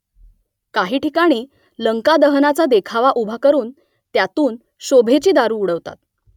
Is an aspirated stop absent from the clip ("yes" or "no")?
no